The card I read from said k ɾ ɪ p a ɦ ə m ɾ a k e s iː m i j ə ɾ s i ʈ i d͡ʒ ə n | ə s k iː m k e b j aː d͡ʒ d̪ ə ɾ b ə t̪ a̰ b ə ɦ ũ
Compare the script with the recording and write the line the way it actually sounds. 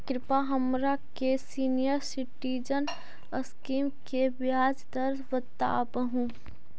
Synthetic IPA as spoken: k ɾ ɪ p a ɦ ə m ɾ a k e s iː n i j ə ɾ s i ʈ i d͡ʒ ə n | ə s k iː m k e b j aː d͡ʒ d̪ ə ɾ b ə t̪ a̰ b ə ɦ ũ